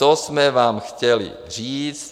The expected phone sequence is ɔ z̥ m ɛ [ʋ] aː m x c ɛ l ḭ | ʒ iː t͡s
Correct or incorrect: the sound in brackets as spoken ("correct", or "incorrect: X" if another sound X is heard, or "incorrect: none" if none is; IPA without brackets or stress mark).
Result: correct